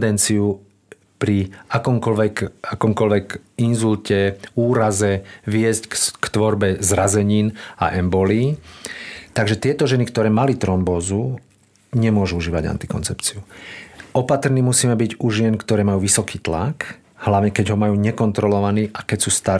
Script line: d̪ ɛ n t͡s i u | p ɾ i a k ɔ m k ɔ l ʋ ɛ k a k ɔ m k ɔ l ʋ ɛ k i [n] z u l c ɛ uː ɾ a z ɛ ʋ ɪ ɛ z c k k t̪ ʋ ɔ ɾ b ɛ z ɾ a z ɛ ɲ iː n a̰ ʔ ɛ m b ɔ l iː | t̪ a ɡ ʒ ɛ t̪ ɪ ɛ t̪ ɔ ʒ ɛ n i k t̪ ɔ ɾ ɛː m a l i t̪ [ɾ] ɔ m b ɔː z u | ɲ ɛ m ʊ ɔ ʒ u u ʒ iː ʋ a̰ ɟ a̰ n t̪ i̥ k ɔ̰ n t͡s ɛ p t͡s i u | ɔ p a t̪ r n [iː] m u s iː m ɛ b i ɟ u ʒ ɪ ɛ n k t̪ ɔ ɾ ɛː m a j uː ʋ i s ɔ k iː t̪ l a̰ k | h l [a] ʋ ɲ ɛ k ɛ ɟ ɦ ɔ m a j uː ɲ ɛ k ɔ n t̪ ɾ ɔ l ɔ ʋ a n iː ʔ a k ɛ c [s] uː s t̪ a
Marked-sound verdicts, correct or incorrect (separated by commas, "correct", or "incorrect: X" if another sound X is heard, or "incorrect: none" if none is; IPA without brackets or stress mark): correct, correct, correct, correct, correct